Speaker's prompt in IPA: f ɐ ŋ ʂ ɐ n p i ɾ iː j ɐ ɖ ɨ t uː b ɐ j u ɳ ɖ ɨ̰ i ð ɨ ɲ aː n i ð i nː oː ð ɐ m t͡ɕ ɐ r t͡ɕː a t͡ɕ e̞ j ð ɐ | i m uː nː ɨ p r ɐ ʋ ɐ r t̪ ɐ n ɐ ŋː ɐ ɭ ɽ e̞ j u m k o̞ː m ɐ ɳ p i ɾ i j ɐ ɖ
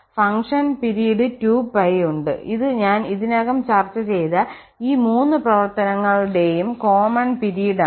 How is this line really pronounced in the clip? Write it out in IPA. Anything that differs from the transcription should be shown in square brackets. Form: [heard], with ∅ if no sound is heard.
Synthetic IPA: f ɐ ŋ ʂ ɐ n p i ɾ [i] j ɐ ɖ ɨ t uː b ɐ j u ɳ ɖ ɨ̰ i ð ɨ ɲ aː n i ð i [n] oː [ɣ] ɐ m t͡ɕ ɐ r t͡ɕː [ɐ] t͡ɕ e̞ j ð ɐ | [iː] m uː nː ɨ p r ɐ ʋ ɐ r t̪ ɐ n ɐ ŋː ɐ ɭ ɽ e̞ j u m k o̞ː m ɐ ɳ p i ɾ i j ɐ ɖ